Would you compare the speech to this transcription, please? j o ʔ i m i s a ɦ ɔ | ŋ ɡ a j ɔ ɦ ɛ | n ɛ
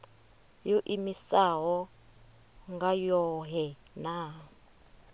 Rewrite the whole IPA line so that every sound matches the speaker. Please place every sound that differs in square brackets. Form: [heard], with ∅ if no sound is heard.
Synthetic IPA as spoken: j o ʔ i m i s a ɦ ɔ | ŋ ɡ a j ɔ ɦ ɛ | n [a]